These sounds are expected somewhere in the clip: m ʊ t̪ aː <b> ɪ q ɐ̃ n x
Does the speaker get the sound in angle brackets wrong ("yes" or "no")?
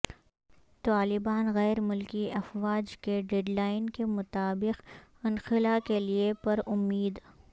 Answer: no